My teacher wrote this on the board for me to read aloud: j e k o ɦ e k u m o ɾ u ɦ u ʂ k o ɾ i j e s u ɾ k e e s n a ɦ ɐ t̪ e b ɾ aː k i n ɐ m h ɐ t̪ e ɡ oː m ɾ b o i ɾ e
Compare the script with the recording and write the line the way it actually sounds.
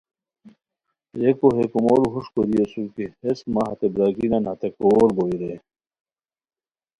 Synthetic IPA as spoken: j e k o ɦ e k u m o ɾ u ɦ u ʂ k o ɾ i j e s u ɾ k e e s m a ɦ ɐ t̪ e b ɾ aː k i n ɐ n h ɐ t̪ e k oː ɾ b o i ɾ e

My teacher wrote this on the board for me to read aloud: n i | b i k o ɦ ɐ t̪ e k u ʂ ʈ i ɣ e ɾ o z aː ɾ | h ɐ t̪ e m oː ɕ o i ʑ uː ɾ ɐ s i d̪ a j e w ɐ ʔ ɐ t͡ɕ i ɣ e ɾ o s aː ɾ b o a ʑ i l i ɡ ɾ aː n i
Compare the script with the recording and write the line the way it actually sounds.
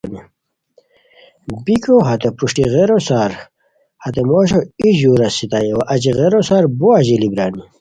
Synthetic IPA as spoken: n i | b i k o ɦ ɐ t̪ e p u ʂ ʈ i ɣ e ɾ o s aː ɾ | h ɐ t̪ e m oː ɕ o i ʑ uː ɾ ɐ s i t̪ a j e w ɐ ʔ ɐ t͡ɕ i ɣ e ɾ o s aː ɾ b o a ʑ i l i b ɾ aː n i

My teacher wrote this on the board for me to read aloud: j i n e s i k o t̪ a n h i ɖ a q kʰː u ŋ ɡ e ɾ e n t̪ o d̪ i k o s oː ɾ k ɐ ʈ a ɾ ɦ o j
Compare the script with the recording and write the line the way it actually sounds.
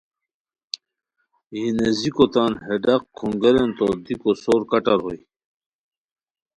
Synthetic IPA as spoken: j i n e z i k o t̪ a n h e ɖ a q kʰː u ŋ ɡ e ɾ e n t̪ o d̪ i k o s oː ɾ k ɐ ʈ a ɾ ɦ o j

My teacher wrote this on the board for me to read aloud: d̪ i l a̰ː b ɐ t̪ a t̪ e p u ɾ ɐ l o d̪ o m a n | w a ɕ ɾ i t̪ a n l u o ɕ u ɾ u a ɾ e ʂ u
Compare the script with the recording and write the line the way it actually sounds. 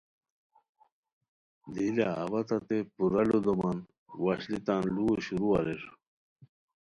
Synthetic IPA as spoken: d̪ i l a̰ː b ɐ t̪ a t̪ e p u ɾ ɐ l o d̪ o m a n | w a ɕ l i t̪ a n l u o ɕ u ɾ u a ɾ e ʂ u

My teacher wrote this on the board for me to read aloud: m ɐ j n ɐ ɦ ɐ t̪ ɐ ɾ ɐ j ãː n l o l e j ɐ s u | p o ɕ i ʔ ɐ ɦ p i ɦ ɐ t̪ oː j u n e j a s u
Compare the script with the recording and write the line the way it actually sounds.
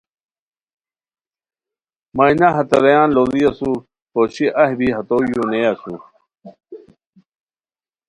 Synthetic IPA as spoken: m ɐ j n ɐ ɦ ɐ t̪ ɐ ɾ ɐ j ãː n l o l i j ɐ s u | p o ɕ i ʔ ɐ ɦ b i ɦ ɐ t̪ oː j u n e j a s u

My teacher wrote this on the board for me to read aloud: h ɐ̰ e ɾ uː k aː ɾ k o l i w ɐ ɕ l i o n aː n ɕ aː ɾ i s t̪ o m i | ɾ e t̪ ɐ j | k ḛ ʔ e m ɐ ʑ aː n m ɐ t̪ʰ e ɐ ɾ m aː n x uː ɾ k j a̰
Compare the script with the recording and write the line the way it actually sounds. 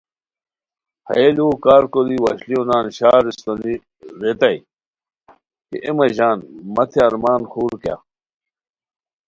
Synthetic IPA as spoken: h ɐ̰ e l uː k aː ɾ k o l i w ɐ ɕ l i o n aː n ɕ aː ɾ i s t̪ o n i | ɾ e t̪ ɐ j | k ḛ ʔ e m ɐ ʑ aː n m ɐ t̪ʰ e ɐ ɾ m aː n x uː ɾ k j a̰

